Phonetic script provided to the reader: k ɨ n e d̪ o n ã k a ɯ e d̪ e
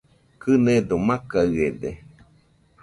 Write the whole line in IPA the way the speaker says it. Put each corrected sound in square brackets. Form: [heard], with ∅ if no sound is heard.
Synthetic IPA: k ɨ n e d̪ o [m] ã k a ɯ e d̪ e